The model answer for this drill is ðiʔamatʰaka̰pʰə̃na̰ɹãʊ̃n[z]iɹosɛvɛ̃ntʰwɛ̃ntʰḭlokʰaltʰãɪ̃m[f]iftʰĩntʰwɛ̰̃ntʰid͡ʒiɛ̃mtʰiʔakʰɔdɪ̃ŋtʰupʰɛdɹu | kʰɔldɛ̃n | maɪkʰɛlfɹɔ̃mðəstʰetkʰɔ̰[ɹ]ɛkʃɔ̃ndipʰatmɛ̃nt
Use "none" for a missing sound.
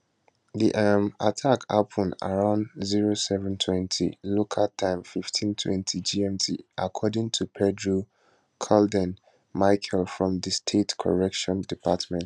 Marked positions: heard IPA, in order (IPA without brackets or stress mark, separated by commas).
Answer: z, f, ɹ